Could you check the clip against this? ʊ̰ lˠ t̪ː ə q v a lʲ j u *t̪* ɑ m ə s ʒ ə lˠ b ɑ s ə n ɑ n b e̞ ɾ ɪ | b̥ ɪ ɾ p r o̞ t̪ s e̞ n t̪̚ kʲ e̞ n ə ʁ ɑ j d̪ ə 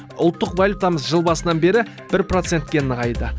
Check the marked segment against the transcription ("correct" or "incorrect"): correct